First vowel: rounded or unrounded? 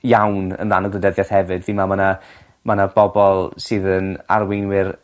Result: unrounded